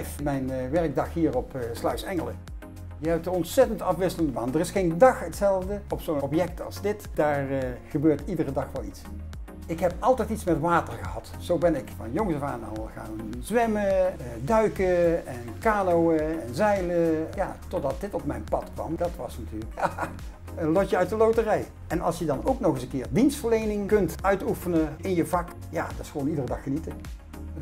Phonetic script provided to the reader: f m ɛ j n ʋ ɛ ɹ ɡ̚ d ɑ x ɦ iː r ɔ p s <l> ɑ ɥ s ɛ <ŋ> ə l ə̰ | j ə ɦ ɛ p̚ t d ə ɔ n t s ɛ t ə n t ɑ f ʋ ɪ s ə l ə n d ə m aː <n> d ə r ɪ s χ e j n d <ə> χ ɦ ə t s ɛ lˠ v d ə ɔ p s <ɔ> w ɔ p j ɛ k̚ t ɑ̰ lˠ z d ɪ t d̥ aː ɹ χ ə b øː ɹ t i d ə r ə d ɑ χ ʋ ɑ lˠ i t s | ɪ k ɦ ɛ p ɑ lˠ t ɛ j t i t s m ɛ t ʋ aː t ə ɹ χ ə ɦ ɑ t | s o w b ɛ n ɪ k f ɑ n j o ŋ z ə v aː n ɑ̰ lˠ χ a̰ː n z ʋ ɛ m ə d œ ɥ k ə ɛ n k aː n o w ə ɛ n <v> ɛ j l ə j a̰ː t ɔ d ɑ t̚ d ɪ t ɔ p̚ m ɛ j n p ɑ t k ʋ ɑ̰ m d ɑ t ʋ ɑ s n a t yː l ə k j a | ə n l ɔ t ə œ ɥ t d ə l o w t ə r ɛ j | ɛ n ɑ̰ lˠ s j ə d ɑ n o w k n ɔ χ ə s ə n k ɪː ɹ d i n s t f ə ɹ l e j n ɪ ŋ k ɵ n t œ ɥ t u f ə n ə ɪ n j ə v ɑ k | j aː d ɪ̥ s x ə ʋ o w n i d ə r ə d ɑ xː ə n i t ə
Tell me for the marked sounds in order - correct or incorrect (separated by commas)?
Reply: correct, correct, correct, incorrect, incorrect, incorrect